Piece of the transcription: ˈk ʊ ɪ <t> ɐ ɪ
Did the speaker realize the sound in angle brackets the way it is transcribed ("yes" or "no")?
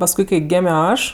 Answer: no